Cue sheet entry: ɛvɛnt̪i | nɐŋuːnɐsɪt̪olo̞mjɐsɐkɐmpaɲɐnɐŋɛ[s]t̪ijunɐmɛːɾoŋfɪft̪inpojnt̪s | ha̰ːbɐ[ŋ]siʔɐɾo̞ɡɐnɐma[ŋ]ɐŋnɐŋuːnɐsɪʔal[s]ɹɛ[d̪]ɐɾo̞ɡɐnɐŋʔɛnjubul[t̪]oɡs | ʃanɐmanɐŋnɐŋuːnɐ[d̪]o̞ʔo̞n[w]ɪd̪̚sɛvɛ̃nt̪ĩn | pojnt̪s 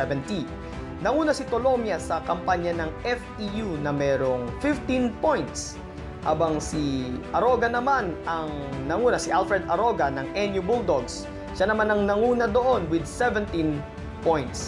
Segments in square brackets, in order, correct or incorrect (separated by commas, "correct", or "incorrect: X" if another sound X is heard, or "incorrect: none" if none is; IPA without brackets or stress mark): incorrect: f, correct, incorrect: n, incorrect: f, correct, incorrect: d̪, correct, correct